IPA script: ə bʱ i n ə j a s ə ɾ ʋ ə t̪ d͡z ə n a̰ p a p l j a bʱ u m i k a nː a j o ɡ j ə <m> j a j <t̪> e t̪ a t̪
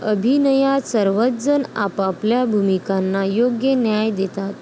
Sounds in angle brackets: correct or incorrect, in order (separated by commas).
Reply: incorrect, incorrect